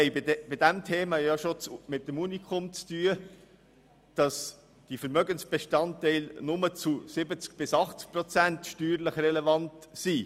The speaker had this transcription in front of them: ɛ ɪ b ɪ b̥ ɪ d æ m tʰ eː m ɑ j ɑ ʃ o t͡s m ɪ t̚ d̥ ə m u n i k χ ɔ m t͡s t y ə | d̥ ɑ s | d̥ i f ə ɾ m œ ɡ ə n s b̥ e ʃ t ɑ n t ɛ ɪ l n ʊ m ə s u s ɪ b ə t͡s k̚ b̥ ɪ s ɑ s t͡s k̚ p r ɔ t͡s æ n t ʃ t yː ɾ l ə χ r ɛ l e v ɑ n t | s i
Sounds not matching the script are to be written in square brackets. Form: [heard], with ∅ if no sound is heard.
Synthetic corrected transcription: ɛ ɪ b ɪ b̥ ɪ d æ m tʰ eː m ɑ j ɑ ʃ o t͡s m ɪ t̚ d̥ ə m u n i k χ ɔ m t͡s t y ə | d̥ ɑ s | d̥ i f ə ɾ m œ ɡ ə n s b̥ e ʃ t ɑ n t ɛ ɪ l n ʊ m ə [t͡s] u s ɪ b ə t͡s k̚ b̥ ɪ s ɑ [χ] t͡s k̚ p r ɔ t͡s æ n t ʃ t yː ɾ l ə χ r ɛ l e v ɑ n t | s i

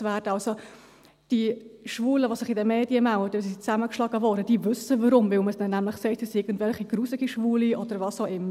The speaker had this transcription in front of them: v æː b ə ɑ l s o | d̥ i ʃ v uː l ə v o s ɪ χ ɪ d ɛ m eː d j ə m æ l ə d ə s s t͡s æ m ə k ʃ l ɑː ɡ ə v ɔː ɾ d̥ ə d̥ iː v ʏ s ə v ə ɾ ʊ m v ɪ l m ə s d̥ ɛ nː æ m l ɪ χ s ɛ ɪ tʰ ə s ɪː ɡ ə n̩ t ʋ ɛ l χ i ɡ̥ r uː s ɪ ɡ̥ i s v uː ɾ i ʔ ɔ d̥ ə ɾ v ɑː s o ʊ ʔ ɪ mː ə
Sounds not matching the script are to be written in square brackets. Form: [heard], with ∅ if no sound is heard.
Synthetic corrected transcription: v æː [d] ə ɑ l s o | d̥ i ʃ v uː l ə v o s ɪ χ ɪ d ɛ m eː d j ə m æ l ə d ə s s t͡s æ m ə k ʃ l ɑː ɡ ə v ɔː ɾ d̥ ə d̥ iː v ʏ s ə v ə ɾ ʊ m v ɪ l m ə s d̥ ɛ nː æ m l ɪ χ s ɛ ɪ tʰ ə s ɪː ɡ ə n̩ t [v] ɛ l χ i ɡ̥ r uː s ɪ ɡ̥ i [ʃ] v uː [l] i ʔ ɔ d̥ ə ɾ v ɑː s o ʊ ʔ ɪ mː ə

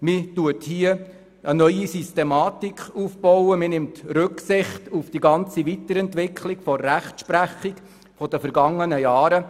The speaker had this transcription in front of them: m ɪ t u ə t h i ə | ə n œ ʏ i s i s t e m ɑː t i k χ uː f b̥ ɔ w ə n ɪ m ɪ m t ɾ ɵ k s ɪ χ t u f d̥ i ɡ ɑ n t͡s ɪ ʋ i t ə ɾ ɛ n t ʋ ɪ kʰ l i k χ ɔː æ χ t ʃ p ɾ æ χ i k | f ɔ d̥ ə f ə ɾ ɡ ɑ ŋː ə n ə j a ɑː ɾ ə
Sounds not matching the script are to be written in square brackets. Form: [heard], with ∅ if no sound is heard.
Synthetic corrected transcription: m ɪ t u ə t h i ə | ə n œ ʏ i s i s t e m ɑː t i k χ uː f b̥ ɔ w ə [m] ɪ [n] ɪ m t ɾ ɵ k s ɪ χ t u f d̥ i ɡ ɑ n t͡s [i] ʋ i t ə ɾ ɛ n t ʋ ɪ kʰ l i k [f] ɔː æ χ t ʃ p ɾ æ χ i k | f ɔ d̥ ə f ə ɾ ɡ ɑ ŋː ə n ə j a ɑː ɾ ə

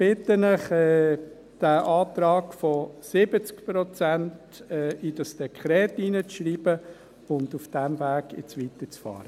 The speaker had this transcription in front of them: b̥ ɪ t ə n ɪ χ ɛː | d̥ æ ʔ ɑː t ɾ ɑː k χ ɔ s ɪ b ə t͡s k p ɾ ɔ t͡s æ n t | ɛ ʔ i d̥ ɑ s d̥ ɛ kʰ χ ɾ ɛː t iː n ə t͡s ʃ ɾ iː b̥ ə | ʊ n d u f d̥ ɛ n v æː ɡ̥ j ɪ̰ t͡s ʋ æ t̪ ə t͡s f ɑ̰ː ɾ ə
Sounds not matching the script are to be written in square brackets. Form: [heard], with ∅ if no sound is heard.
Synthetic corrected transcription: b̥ ɪ t ə n ɪ χ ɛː | d̥ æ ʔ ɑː t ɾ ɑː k [f] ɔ s ɪ b ə t͡s k p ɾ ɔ t͡s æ n t | ɛ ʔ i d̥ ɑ s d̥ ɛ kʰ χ ɾ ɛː t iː n ə t͡s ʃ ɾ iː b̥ ə | ʊ n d u f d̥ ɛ [m] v æː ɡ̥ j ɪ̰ t͡s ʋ [i] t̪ ə t͡s f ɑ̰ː ɾ ə

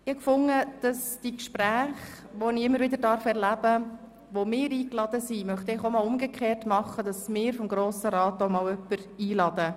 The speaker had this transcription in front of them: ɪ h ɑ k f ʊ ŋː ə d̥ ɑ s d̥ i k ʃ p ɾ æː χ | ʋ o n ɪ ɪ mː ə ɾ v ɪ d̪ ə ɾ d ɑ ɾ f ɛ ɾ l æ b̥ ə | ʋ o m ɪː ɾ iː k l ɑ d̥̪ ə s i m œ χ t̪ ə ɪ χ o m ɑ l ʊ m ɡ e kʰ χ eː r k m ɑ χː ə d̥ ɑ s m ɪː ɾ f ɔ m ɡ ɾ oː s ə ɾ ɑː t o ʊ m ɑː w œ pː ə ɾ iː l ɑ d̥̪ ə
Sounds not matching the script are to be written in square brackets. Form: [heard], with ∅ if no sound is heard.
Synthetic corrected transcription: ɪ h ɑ k f ʊ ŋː ə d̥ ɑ s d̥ i k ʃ p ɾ æː χ | ʋ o n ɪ ɪ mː ə ɾ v ɪ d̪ ə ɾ d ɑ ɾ f ɛ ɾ l æ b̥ ə | ʋ o m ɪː ɾ iː k l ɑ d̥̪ ə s i m œ χ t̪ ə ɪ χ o m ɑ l ʊ m ɡ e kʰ χ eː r [t] m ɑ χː ə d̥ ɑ s m ɪː ɾ f ɔ m ɡ ɾ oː s ə ɾ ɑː t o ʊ m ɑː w œ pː ə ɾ iː l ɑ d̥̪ ə

